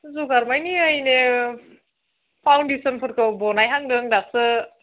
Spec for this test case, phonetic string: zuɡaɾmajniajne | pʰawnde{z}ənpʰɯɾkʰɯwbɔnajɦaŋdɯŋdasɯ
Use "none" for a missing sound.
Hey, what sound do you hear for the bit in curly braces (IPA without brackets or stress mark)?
s